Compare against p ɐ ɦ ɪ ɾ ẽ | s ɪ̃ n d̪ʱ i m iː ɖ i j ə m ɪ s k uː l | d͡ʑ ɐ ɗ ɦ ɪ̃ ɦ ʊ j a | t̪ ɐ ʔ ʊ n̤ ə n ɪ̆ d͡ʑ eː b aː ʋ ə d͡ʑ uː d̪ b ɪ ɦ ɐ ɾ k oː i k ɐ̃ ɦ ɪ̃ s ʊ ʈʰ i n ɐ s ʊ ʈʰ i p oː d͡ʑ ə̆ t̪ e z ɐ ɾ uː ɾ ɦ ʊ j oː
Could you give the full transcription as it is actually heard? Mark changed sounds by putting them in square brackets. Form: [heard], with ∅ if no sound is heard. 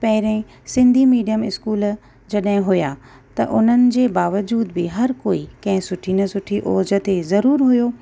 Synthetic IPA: p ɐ ɦ ɪ ɾ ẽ | s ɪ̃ n d̪ʱ i m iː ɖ i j ə m ɪ s k uː l | d͡ʑ ɐ ɗ ɦ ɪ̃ ɦ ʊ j a | t̪ ɐ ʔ ʊ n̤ ə n ɪ̆ d͡ʑ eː b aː ʋ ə d͡ʑ uː d̪ b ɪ ɦ ɐ ɾ k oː i k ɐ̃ ɦ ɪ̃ s ʊ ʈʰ i n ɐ s ʊ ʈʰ i [ʔ] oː d͡ʑ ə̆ t̪ e z ɐ ɾ uː ɾ ɦ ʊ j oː

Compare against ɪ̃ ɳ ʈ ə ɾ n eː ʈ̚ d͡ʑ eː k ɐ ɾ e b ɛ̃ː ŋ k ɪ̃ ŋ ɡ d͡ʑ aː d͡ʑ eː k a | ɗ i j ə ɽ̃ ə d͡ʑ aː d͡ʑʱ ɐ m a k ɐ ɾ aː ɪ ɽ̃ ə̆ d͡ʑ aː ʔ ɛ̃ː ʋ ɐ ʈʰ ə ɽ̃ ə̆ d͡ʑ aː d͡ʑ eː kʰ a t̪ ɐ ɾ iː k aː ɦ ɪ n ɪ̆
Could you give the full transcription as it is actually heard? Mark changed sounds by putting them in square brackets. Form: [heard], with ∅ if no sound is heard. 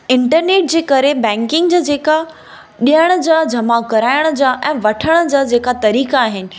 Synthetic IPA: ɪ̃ ɳ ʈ ə ɾ n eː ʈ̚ d͡ʑ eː k ɐ ɾ e b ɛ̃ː ŋ k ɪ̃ ŋ ɡ d͡ʑ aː d͡ʑ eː k a | ɗ i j ə ɽ̃ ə d͡ʑ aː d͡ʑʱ ɐ m a k ɐ ɾ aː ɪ ɽ̃ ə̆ d͡ʑ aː ʔ ɛ̃ː ʋ ɐ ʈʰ ə ɽ̃ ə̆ d͡ʑ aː d͡ʑ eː [k] a t̪ ɐ ɾ iː k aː ɦ ɪ n ɪ̆

